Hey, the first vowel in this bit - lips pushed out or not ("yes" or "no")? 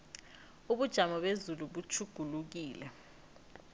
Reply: yes